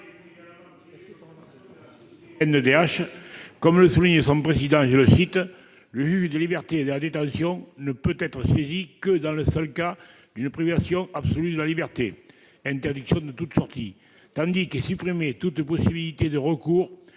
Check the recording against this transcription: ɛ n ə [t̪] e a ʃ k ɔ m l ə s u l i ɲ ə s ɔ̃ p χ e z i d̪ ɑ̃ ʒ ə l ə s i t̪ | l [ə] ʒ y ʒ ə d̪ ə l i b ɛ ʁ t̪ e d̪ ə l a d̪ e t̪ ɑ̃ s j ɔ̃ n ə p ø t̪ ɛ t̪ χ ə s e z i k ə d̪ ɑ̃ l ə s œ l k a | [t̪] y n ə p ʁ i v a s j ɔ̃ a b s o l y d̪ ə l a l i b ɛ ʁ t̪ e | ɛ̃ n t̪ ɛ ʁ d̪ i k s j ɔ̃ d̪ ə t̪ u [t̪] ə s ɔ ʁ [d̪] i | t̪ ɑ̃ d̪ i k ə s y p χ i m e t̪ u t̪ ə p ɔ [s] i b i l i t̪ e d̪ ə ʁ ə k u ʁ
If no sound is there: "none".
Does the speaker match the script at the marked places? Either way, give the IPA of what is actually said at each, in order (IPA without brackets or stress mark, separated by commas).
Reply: d̪, ə, d̪, t̪, t̪, s